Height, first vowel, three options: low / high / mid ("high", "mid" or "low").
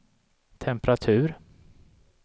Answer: mid